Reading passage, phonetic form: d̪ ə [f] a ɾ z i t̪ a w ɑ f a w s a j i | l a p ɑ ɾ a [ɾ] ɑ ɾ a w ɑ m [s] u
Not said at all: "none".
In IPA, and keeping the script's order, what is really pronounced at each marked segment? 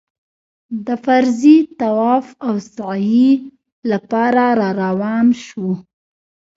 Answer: f, ɾ, ʃ

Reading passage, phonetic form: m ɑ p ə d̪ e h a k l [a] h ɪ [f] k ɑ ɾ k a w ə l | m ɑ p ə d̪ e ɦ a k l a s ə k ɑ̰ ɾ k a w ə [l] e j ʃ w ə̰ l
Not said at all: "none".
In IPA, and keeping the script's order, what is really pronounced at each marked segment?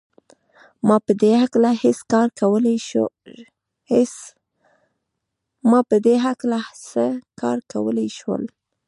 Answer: a, s, l

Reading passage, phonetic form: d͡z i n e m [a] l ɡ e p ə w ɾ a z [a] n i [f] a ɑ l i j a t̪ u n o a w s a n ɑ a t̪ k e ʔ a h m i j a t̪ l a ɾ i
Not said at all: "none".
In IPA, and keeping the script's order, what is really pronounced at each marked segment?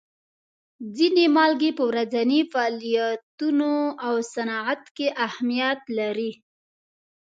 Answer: ɑ, a, f

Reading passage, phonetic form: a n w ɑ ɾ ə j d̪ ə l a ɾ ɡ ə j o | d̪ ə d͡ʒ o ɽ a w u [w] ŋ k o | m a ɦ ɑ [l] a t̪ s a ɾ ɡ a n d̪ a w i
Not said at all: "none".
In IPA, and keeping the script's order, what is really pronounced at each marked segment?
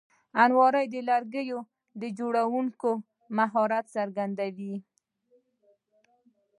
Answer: none, ɾ

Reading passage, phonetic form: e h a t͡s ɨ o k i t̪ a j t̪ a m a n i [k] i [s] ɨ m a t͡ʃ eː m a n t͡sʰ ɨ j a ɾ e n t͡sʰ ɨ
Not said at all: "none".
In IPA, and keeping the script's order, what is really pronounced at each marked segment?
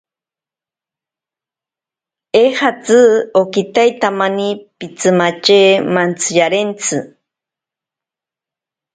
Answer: p, t͡s

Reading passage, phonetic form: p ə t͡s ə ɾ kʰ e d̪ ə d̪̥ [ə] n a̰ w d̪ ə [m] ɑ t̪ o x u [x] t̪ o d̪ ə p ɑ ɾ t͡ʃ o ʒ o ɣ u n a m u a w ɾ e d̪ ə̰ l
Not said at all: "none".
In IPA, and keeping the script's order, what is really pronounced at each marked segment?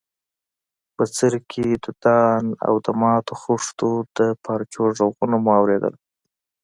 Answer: ɑ, m, ʂ

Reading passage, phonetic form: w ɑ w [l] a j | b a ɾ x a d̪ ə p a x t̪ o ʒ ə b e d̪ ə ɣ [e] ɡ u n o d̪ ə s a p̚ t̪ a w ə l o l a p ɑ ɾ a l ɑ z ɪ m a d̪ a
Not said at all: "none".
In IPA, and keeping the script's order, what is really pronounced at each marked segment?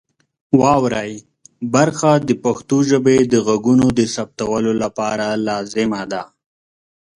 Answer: ɾ, a

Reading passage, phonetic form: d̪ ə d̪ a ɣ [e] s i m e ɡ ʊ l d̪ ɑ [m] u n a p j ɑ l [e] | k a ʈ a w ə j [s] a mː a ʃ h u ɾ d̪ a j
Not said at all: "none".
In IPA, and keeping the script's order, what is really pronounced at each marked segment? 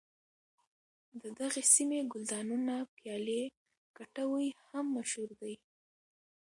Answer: e, n, e, h

